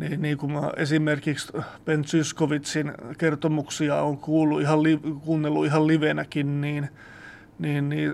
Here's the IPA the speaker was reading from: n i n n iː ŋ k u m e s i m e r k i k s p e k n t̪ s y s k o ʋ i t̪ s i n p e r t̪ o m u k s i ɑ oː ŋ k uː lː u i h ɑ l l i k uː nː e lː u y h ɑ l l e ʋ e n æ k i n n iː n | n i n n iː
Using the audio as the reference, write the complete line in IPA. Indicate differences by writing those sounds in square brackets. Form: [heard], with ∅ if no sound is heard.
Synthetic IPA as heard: n [iː] n n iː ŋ k u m e s i m e r k i k s p e [∅] n t̪ s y s k o ʋ i t̪ s i n [k] e r t̪ o m u k s i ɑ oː ŋ k uː lː u i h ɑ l l i k uː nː e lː u [i] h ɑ l l [i] ʋ e n æ k i n n iː n | n [iː] n n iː